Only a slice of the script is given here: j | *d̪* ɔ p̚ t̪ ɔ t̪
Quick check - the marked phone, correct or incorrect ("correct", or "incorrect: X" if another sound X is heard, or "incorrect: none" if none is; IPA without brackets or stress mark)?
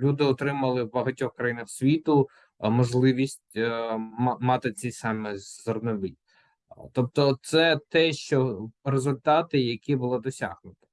incorrect: t̪